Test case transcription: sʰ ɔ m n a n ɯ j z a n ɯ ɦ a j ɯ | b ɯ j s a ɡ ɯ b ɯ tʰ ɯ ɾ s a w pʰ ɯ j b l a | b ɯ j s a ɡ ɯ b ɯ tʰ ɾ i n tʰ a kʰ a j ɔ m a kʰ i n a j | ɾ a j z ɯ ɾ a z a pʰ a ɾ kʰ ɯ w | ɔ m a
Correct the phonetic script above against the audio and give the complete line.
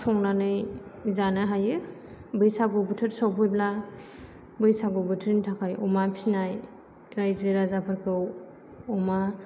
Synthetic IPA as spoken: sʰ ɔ ŋ n a n ɯ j z a n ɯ ɦ a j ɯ | b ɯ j s a ɡ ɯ b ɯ tʰ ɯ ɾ s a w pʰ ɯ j b l a | b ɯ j s a ɡ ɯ b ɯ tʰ ɾ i n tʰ a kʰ a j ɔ m a pʰ i n a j | ɾ a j z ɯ ɾ a z a pʰ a ɾ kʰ ɯ w | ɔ m a

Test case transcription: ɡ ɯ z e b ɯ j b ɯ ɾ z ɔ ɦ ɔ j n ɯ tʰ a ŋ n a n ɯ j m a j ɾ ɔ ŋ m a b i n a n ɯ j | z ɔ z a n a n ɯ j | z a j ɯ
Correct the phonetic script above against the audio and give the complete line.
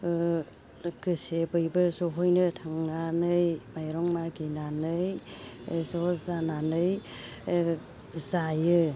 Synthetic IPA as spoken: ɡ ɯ s e b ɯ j b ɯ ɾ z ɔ ɦ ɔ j n ɯ tʰ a ŋ n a n ɯ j m a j ɾ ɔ ŋ m a ɡ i n a n ɯ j | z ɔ z a n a n ɯ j | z a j ɯ

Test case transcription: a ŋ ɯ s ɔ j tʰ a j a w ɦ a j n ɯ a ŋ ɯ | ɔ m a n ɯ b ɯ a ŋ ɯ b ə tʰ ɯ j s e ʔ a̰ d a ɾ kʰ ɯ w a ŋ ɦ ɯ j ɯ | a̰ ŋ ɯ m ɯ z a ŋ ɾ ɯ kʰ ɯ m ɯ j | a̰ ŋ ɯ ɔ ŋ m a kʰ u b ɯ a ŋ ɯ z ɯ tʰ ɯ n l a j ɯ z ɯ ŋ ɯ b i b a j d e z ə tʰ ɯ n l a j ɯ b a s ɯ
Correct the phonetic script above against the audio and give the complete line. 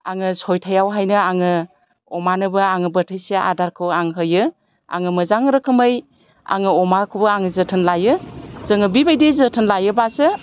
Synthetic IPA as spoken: a ŋ ɯ s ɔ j tʰ a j a w ɦ a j n ɯ a ŋ ɯ | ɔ m a n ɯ b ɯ a ŋ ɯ b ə tʰ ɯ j s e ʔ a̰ d a ɾ kʰ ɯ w a ŋ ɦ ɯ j ɯ | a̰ ŋ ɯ m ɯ z a ŋ ɾ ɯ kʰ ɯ m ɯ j | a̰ ŋ ɯ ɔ m a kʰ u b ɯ a ŋ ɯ z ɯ tʰ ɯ n l a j ɯ z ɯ ŋ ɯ b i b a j d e z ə tʰ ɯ n l a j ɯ b a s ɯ

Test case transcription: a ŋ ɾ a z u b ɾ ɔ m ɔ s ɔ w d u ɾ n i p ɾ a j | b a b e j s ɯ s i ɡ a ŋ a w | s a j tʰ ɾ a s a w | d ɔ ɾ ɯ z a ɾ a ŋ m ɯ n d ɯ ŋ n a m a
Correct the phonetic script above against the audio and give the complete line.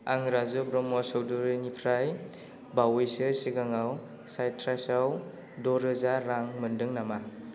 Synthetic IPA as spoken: a ŋ ɾ a z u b ɾ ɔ m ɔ s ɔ w d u ɾ n i pʰ ɾ a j | b a w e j s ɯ s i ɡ a ŋ a w | s a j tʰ ɾ a s a w | d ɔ ɾ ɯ z a ɾ a ŋ m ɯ n d ɯ ŋ n a m a

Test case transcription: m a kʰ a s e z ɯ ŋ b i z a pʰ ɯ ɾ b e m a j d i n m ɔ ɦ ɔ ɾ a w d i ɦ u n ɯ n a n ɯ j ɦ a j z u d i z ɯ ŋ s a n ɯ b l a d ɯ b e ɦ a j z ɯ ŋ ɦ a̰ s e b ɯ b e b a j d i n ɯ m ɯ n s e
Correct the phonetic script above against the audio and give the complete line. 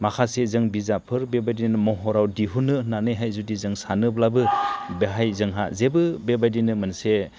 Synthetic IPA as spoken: m a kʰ a s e z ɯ ŋ b i z a pʰ ɯ ɾ b e b a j d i n m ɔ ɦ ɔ ɾ a w d i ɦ u n ɯ n a n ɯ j ɦ a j z u d i z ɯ ŋ s a n ɯ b l a b ɯ b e ɦ a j z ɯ ŋ ɦ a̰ z e b ɯ b e b a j d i n ɯ m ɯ n s e

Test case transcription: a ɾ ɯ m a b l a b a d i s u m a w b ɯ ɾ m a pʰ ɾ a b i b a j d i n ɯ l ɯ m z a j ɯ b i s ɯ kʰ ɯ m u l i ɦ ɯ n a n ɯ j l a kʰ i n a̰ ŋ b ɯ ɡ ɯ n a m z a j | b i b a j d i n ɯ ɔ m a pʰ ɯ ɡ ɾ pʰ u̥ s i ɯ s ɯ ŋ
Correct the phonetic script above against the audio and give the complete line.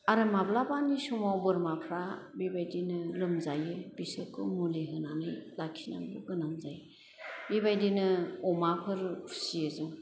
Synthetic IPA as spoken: a ɾ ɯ m a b l a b a n i s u m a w b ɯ ɾ m a pʰ ɾ a b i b a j d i n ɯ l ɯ m z a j ɯ b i s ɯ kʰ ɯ m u l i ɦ ɯ n a n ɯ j l a kʰ i n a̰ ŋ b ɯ ɡ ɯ n a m z a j | b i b a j d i n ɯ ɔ m a pʰ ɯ ɾ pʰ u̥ s i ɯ z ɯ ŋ

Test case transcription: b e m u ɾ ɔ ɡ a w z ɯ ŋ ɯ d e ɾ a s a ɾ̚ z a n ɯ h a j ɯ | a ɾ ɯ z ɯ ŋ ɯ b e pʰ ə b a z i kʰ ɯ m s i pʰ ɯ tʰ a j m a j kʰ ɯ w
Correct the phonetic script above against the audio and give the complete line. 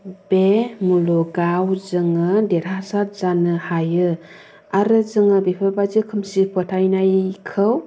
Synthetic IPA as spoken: b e m u l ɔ ɡ a w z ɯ ŋ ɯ d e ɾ a s a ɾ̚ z a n ɯ h a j ɯ | a ɾ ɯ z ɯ ŋ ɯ b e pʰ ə b a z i kʰ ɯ m s i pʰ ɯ tʰ a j n a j kʰ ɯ w

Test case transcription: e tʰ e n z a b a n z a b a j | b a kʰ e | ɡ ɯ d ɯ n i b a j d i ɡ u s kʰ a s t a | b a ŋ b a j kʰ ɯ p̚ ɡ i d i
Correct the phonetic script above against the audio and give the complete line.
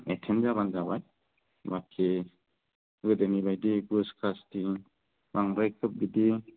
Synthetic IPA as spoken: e tʰ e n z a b a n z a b a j | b a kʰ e | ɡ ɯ d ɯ n i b a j d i ɡ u s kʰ a s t i | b a ŋ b a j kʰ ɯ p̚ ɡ i d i

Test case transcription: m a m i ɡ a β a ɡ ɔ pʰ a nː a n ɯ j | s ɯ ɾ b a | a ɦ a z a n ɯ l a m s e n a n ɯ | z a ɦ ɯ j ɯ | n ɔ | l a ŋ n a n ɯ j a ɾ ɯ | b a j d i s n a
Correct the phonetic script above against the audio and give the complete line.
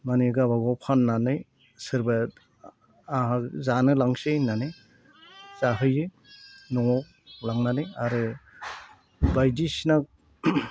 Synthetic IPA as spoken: m a n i ɡ a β a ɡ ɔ pʰ a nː a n ɯ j | s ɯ ɾ b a | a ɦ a z a n ɯ l a ŋ s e n a n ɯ | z a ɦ ɯ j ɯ | n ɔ | l a ŋ n a n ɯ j a ɾ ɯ | b a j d i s n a

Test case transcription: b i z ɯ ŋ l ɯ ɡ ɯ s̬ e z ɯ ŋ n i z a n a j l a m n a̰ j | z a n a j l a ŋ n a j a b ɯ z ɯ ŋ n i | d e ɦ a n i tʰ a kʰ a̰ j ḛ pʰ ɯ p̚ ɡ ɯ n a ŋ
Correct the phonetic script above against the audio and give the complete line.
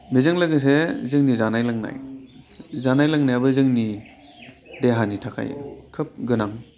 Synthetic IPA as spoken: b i z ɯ ŋ l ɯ ɡ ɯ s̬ e z ɯ ŋ n i z a n a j l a ŋ n a̰ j | z a n a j l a ŋ n a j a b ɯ z ɯ ŋ n i | d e ɦ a n i tʰ a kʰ a̰ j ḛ kʰ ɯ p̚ ɡ ɯ n a ŋ

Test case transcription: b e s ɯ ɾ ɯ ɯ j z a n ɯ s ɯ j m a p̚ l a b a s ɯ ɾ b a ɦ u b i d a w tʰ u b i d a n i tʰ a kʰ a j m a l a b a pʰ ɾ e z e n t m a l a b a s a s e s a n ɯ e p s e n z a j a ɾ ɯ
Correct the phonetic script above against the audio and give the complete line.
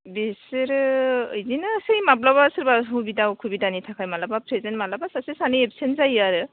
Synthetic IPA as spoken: b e s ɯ ɾ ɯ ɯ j z i n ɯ s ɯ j m a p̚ l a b a s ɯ ɾ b a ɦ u b i d a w kʰ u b i d a n i tʰ a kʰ a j m a l a b a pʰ ɾ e z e n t m a l a b a s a s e s a n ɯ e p s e n z a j a ɾ ɯ

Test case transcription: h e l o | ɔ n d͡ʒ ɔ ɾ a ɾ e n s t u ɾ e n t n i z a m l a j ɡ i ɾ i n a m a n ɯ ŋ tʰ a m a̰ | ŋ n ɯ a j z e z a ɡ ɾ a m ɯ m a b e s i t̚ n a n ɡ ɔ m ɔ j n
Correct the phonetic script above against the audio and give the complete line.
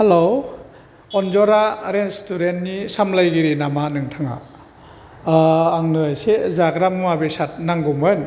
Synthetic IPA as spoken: h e l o | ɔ n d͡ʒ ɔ ɾ a ɾ e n s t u ɾ e n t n i s a m l a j ɡ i ɾ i n a m a n ɯ ŋ tʰ a ŋ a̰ | ŋ n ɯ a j s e z a ɡ ɾ a m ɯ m a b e s a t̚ n a ŋ ɡ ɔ m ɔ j n

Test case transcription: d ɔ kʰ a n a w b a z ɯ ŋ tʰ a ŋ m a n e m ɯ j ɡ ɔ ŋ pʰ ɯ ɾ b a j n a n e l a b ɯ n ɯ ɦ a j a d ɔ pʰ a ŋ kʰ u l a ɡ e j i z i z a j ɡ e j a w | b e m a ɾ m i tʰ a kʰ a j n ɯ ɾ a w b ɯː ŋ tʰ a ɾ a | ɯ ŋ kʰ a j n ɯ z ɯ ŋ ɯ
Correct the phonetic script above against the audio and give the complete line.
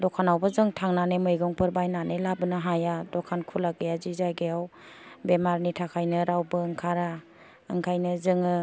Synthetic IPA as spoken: d ɔ kʰ a n a w b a z ɯ ŋ tʰ a ŋ n a n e m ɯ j ɡ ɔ ŋ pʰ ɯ ɾ b a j n a n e l a b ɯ n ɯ ɦ a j a d ɔ kʰ a n kʰ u l a ɡ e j a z i z a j ɡ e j a w | b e m a ɾ n i tʰ a kʰ a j n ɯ ɾ a w b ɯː ŋ kʰ a ɾ a | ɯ ŋ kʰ a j n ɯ z ɯ ŋ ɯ

